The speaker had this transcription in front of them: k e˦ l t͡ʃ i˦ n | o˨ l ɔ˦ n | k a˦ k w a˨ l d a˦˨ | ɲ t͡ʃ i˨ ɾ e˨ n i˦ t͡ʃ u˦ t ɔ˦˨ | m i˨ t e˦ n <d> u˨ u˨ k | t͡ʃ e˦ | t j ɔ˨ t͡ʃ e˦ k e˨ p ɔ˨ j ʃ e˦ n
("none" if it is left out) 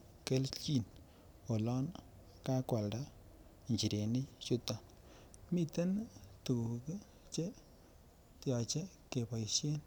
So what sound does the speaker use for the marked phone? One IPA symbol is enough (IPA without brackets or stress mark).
t